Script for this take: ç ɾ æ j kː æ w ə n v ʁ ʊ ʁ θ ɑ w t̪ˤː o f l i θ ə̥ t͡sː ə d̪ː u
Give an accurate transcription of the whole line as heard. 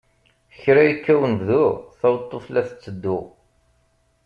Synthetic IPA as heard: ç ɾ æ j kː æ w ə n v ð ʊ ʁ θ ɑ w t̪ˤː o f l æ θ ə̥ t͡sː ə d̪ː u